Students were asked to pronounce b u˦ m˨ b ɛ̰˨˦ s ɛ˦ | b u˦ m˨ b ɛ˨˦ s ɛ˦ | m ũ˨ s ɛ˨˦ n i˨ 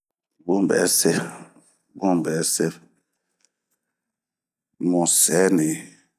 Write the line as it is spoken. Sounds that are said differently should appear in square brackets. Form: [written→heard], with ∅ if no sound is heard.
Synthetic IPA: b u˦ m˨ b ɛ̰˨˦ s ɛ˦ | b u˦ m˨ b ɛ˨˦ s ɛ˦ | m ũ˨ s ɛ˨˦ n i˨